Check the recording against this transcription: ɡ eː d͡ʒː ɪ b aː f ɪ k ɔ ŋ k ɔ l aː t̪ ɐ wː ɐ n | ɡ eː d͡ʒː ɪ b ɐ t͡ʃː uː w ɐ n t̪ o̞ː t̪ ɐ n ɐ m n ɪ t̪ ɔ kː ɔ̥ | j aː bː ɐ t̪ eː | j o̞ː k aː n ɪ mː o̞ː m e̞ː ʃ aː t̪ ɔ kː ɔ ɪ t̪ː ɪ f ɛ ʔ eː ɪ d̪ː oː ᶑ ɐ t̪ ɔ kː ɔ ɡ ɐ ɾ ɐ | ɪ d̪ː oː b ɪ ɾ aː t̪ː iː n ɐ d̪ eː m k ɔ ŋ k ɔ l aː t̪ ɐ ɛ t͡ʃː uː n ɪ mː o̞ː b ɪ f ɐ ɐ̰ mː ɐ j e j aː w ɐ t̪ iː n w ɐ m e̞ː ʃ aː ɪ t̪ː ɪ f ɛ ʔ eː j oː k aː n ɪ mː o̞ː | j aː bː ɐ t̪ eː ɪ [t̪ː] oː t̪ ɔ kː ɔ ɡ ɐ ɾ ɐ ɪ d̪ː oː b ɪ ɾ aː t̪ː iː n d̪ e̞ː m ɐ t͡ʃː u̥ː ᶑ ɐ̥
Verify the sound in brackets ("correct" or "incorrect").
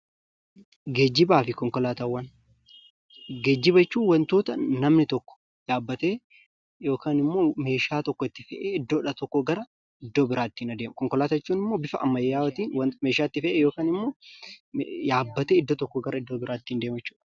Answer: incorrect